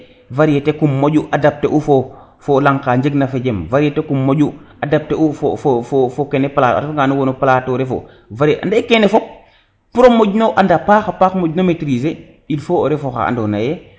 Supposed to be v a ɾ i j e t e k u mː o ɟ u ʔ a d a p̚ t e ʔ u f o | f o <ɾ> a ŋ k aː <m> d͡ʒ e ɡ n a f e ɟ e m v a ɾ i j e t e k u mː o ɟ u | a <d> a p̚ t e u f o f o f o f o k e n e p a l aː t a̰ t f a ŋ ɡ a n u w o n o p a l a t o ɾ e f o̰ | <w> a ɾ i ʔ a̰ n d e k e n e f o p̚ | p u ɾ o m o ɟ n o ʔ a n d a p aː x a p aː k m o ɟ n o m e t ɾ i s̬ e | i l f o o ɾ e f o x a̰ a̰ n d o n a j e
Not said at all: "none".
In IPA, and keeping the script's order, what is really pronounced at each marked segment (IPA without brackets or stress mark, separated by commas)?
l, ɲ, d, v